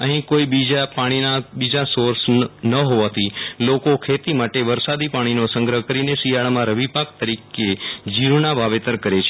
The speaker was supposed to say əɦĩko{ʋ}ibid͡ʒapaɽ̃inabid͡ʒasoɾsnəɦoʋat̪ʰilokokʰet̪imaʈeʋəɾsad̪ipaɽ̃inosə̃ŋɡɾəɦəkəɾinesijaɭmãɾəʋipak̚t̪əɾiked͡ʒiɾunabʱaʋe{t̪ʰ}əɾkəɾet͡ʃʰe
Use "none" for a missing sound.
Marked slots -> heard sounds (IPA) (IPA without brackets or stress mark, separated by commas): none, t̪